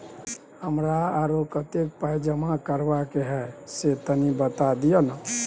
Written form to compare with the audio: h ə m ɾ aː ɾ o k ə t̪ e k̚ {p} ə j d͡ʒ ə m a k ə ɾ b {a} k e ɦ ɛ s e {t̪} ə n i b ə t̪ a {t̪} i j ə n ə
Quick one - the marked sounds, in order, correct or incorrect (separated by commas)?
correct, correct, correct, incorrect